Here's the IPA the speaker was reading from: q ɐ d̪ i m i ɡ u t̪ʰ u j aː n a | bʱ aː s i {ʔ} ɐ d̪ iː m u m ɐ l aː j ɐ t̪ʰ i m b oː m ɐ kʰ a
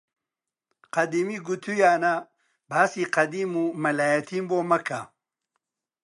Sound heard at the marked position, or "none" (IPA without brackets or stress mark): q